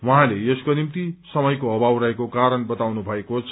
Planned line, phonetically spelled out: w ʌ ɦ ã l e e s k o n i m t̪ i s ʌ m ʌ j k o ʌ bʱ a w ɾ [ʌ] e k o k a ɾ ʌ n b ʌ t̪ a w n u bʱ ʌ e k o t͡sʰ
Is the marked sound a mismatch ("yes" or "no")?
no